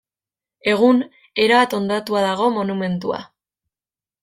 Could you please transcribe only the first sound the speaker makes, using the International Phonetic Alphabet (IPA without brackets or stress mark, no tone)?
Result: e̞